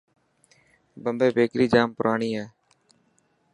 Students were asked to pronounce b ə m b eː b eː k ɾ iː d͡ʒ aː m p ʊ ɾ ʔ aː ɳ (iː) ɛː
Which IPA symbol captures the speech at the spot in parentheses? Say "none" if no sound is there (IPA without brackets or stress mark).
iː